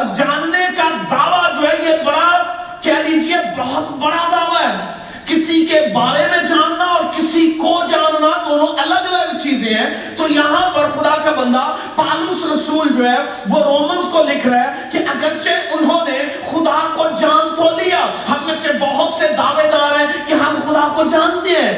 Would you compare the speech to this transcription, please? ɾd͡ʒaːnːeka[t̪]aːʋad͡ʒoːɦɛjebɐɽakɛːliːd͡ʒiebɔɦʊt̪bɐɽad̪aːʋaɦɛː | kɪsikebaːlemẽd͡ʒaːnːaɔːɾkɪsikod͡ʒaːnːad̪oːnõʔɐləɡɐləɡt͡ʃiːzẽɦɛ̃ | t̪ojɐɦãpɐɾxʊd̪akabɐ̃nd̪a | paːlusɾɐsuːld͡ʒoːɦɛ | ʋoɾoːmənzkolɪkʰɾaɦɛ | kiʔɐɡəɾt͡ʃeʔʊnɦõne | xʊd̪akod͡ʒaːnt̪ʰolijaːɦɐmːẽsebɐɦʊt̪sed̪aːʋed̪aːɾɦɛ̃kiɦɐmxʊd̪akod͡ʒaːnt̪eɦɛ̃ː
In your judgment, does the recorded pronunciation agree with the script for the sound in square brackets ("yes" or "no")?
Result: no